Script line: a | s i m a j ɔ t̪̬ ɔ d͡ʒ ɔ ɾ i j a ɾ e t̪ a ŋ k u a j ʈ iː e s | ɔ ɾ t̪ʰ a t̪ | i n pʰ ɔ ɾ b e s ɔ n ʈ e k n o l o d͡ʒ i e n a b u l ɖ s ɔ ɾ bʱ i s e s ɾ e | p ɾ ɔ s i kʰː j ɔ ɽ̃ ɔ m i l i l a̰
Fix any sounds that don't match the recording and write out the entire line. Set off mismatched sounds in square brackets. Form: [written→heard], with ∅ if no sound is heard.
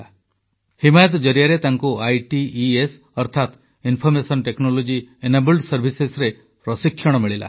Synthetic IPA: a | [s→h] i m a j ɔ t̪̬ ɔ d͡ʒ ɔ ɾ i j a ɾ e t̪ a ŋ k u a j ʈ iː e s | ɔ ɾ t̪ʰ a t̪ | i n pʰ ɔ ɾ [b→m] e s ɔ n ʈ e k n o l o d͡ʒ i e n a b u l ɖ s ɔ ɾ bʱ i s e s ɾ e | p ɾ ɔ s i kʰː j ɔ ɽ̃ ɔ m i [l→ɭ] i l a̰